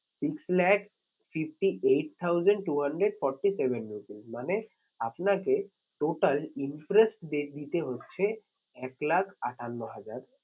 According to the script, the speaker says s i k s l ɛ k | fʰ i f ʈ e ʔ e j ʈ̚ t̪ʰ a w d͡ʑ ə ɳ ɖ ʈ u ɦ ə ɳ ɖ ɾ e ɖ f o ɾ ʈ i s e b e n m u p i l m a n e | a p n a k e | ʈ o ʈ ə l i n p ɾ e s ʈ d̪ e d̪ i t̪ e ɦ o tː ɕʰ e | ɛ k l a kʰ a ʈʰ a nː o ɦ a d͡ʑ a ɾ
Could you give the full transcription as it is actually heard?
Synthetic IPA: s i k s l ɛ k | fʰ i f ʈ i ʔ e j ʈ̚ t̪ʰ a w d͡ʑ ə ɳ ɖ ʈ u ɦ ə ɳ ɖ ɾ e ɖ f ɔ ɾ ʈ i s e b e n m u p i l m a n e | a p n a k e | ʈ o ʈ a l i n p ɾ e s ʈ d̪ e d̪ i t̪ e ɦ o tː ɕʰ e | ɛ k l a kʰ a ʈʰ a nː o ɦ a d͡ʑ a ɾ